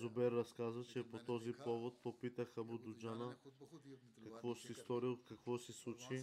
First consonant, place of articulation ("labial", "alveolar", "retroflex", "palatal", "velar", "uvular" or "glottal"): alveolar